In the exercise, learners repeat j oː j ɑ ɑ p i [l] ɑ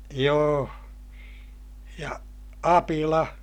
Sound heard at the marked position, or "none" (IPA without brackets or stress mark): l